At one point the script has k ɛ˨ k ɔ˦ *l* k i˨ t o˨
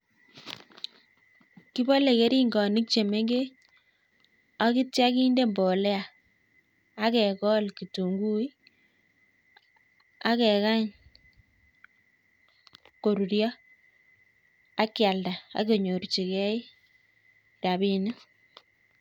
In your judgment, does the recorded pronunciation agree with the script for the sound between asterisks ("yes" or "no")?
yes